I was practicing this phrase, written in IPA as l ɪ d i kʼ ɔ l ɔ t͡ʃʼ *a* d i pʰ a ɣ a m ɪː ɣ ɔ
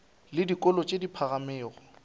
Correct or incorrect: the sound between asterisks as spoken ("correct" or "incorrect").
incorrect